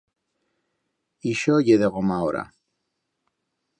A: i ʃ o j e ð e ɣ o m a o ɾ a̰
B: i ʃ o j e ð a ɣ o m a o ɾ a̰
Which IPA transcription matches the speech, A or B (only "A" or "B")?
A